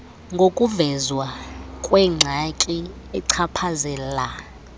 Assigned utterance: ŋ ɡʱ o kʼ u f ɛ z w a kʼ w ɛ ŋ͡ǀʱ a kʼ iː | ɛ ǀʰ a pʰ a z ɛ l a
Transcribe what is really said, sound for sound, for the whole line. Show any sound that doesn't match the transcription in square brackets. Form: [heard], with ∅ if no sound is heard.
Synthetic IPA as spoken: ŋ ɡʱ o kʼ u [v] ɛ z w a kʼ w ɛ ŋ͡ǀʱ a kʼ [i] | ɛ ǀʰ a pʰ a z ɛ l a